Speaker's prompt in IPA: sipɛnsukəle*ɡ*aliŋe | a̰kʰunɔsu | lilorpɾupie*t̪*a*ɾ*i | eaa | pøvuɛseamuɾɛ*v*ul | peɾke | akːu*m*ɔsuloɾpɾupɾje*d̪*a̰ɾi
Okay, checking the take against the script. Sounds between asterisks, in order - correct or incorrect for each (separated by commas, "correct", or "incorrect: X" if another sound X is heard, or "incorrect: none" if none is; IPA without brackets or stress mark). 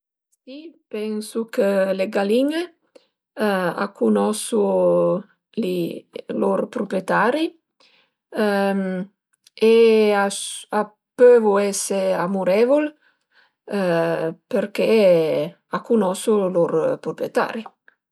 correct, correct, correct, correct, incorrect: n, incorrect: t̪